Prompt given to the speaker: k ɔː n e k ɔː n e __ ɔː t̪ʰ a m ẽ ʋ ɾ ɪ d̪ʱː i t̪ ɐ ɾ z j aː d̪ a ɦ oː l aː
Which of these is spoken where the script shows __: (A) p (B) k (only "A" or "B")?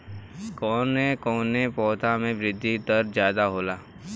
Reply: A